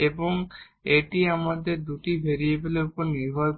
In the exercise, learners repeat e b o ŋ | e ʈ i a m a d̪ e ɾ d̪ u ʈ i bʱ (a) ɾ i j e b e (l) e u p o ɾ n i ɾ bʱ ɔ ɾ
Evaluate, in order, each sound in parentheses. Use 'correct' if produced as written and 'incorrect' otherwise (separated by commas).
incorrect, correct